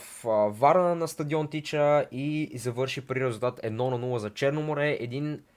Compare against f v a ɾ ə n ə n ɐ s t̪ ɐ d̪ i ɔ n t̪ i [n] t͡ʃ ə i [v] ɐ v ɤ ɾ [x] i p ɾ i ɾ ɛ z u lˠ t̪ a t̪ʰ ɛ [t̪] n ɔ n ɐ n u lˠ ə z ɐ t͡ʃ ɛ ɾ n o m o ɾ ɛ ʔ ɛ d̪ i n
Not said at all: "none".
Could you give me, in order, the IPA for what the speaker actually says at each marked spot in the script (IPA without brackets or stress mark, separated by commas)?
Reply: none, z, ʃ, d̪